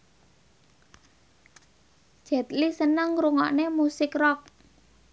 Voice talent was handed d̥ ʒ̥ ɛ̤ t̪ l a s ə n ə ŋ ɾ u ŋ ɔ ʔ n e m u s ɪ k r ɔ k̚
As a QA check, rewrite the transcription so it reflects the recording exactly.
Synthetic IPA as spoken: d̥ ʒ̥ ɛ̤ t̪ l i s ə n ə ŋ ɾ u ŋ ɔ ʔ n e m u s ɪ k r ɔ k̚